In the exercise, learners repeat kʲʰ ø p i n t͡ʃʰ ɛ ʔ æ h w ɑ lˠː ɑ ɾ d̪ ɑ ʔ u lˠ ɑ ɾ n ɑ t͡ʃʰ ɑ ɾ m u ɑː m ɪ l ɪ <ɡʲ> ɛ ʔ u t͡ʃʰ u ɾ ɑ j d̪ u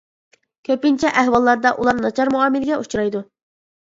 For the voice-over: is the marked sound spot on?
yes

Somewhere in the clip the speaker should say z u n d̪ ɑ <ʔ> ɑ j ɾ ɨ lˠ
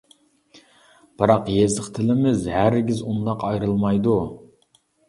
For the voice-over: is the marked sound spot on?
no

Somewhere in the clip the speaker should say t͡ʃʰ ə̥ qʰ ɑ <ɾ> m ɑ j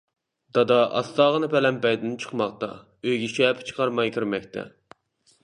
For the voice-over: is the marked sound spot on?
yes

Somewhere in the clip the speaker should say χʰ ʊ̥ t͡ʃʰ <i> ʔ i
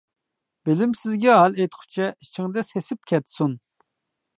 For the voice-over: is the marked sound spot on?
no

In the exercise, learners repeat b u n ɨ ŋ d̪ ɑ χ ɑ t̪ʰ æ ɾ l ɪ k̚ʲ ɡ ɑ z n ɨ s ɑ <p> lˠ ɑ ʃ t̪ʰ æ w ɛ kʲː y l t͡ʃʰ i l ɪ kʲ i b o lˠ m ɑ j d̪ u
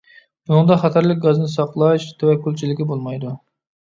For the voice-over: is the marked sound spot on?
no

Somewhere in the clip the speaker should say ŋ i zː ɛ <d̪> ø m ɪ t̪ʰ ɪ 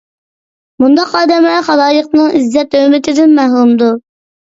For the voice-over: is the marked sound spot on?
no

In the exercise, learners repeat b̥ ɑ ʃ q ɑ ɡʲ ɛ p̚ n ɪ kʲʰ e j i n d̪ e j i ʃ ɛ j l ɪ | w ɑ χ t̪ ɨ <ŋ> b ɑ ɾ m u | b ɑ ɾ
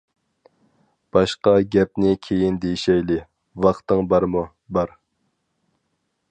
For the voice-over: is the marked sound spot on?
yes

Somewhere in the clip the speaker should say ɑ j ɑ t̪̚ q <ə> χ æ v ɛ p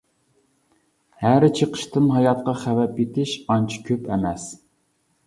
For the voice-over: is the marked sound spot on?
no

